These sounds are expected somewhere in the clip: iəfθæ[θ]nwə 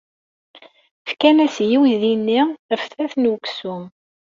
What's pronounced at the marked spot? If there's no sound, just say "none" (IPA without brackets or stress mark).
θ